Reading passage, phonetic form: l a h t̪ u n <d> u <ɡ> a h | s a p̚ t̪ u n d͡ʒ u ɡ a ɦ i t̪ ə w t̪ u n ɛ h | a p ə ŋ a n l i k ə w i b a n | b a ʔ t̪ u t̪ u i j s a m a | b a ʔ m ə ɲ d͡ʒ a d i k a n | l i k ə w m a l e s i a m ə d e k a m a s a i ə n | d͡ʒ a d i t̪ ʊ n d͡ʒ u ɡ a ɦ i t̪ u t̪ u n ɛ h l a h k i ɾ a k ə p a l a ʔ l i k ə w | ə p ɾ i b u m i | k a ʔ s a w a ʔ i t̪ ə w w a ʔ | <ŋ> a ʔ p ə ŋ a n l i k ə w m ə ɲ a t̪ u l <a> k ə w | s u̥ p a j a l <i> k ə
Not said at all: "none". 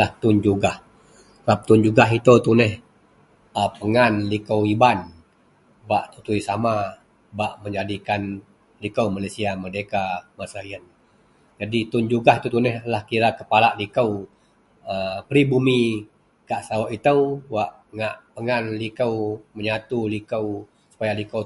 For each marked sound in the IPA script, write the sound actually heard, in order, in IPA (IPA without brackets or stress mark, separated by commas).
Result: d͡ʒ, ɡ, ŋ, i, i